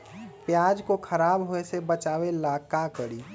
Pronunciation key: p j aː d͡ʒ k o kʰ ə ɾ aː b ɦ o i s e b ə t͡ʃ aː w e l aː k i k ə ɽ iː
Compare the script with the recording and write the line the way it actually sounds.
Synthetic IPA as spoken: p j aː d͡ʒ k o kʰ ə ɾ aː b ɦ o e s e b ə t͡ʃ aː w e l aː k a k ə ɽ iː